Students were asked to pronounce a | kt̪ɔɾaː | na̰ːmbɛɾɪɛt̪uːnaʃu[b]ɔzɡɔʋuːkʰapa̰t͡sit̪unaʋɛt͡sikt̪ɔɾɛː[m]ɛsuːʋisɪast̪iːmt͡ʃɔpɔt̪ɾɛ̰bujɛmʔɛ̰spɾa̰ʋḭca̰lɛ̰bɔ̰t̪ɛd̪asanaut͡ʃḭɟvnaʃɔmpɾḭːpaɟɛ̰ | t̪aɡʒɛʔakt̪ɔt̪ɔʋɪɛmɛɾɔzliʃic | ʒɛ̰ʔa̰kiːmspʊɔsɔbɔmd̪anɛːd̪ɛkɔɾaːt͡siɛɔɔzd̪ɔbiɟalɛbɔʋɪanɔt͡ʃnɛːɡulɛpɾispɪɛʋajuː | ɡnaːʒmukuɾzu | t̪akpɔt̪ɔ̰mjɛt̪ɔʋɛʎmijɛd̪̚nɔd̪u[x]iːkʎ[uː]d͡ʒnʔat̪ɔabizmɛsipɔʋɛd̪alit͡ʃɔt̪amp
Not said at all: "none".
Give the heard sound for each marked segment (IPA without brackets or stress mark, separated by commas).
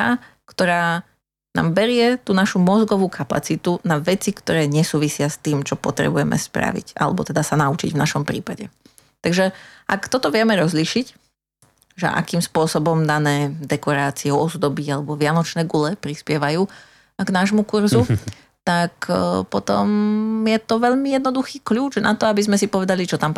m, ɲ, x, uː